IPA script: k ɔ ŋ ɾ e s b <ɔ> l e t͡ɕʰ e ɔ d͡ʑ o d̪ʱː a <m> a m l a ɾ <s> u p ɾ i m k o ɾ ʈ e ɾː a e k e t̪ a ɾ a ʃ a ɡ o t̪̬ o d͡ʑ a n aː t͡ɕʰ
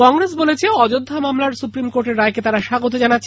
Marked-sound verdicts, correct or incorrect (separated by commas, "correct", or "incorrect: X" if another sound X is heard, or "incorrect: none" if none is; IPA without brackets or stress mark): incorrect: o, correct, correct